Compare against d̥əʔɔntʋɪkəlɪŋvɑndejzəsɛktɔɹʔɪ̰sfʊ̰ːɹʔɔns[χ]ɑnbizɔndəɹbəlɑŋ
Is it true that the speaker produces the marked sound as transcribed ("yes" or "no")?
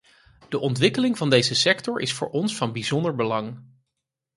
no